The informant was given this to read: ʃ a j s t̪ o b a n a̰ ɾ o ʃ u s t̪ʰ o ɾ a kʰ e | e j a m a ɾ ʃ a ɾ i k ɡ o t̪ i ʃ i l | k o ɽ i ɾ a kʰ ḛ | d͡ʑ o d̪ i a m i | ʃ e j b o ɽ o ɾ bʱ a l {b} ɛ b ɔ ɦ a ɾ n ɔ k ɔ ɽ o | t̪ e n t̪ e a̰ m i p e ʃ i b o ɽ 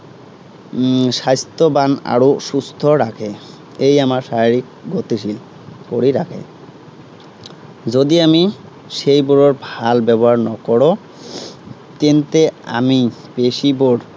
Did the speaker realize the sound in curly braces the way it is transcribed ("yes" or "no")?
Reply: yes